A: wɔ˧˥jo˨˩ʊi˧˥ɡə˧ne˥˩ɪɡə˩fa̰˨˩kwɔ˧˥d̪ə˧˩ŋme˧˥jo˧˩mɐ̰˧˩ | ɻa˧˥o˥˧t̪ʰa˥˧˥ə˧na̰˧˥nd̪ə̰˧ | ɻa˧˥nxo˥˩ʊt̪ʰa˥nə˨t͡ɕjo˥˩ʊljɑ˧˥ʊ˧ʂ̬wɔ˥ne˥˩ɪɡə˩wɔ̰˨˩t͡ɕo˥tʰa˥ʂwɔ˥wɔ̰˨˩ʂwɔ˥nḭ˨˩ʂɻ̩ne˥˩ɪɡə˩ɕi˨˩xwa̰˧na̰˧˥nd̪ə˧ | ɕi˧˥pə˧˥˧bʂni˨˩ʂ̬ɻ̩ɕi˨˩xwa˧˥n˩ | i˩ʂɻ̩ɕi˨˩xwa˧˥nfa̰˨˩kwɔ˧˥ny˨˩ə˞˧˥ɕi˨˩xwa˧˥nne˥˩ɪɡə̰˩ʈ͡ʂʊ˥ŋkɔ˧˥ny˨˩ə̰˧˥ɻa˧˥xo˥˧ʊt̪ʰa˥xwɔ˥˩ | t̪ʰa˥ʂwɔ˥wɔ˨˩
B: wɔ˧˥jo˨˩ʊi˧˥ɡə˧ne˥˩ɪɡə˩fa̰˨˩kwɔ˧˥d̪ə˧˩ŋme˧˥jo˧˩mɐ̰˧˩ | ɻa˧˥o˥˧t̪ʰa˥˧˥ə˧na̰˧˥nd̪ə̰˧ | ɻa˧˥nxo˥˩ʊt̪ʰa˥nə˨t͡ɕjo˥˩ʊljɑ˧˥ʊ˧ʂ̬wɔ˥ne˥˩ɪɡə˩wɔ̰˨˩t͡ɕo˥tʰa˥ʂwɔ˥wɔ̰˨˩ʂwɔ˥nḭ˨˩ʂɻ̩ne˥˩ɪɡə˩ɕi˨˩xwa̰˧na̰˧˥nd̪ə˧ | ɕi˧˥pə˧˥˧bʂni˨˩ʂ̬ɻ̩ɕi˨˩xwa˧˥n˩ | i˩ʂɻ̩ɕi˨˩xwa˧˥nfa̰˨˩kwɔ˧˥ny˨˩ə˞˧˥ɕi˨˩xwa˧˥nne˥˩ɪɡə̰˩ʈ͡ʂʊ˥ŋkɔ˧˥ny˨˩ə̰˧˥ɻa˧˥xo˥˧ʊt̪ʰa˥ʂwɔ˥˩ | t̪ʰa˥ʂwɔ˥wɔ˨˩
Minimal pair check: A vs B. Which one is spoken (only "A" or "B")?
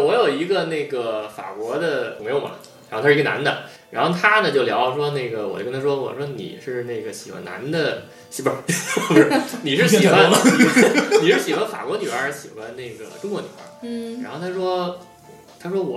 B